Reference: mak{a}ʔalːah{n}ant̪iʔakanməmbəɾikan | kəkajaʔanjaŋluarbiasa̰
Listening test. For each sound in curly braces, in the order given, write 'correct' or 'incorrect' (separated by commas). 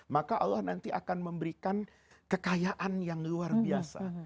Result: correct, correct